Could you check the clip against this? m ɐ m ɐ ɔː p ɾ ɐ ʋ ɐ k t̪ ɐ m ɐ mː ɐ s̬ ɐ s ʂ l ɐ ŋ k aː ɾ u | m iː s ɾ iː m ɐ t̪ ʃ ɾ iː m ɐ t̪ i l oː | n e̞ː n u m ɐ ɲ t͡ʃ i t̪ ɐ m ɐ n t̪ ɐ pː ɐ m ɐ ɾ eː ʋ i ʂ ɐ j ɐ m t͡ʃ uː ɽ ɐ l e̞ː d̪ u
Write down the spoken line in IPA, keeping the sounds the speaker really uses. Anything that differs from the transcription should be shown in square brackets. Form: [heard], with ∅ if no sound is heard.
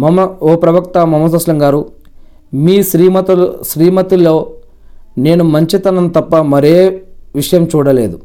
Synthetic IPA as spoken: m ɐ m ɐ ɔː p ɾ ɐ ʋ ɐ k t̪ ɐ m ɐ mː ɐ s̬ ɐ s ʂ l ɐ ŋ [ɡ] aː ɾ u | m iː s ɾ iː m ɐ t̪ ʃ ɾ iː m ɐ t̪ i l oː | n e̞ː n u m ɐ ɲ t͡ʃ i t̪ ɐ [n] ɐ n t̪ ɐ pː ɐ m ɐ ɾ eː ʋ i ʂ ɐ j ɐ m t͡ʃ uː ɽ ɐ l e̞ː d̪ u